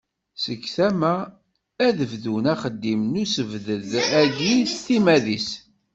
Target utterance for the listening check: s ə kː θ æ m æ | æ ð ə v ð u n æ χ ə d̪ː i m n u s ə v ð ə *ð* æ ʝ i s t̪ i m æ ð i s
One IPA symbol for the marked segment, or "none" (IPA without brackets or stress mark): ð